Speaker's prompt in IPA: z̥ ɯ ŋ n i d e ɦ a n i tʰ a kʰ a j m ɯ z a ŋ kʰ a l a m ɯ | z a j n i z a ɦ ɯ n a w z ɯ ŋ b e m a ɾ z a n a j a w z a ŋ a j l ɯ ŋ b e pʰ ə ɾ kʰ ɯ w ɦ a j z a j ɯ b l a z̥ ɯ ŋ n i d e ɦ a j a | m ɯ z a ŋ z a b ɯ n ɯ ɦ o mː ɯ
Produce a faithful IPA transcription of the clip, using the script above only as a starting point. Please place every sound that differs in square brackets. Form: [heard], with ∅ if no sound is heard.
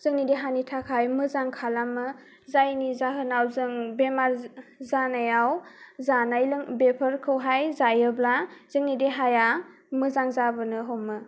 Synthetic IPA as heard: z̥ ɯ ŋ n i d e ɦ a n i tʰ a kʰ a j m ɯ z a ŋ kʰ a l a m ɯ | z a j n i z a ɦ ɯ n a w z ɯ ŋ b e m a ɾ z a n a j a w z a [n] a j l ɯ ŋ b e pʰ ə ɾ kʰ ɯ w ɦ a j z a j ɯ b l a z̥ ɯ ŋ n i d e ɦ a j a | m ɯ z a ŋ z a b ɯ n ɯ ɦ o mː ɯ